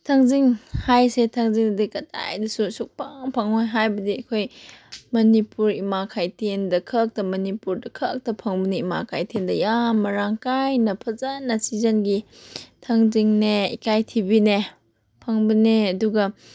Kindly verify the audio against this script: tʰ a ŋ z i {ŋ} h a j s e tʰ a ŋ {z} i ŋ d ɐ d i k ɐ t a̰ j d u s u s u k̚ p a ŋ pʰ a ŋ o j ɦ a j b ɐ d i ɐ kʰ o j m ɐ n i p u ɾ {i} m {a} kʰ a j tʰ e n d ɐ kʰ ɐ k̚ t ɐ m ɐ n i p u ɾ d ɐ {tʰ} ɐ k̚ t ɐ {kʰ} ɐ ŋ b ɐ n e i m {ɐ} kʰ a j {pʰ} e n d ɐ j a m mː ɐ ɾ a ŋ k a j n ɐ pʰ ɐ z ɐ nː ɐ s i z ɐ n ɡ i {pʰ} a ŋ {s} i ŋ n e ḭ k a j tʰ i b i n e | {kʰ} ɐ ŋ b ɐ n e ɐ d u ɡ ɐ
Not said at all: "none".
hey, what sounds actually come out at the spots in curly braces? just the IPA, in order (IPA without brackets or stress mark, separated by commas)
ŋ, z, i, a, kʰ, pʰ, a, tʰ, tʰ, z, pʰ